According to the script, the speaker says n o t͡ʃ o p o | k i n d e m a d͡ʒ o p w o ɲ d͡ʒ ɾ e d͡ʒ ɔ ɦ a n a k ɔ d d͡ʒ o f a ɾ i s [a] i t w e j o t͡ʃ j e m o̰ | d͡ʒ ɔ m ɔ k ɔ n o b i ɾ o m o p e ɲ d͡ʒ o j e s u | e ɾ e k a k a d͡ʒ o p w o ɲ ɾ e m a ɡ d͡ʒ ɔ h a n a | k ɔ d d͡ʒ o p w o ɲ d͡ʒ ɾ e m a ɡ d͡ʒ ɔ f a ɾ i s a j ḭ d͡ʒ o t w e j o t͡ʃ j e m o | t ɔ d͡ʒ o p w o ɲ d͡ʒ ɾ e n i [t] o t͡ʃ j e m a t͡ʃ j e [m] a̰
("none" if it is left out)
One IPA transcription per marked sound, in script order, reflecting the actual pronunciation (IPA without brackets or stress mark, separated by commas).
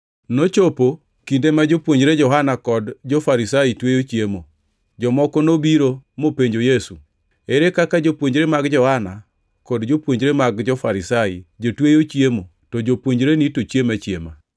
a, t, m